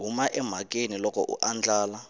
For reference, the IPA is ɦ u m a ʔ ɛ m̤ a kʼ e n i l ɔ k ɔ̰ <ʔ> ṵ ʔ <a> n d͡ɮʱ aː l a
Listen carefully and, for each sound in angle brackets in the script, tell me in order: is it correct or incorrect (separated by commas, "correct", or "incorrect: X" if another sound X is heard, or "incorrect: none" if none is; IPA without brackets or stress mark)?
correct, correct